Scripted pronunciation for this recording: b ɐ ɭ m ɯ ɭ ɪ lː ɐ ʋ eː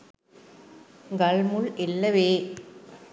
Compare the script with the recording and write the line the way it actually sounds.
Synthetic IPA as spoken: ɡ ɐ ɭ m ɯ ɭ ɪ lː ɐ ʋ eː